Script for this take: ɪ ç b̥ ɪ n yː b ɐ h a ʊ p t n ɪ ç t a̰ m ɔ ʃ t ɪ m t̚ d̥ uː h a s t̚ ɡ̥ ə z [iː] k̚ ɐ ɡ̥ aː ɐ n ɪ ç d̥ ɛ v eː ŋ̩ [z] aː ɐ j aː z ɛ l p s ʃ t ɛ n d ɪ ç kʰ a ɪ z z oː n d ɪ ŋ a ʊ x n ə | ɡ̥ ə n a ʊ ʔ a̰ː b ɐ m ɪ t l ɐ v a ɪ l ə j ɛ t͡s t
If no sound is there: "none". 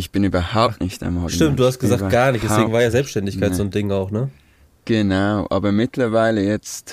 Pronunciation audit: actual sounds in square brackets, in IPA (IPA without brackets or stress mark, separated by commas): aː, v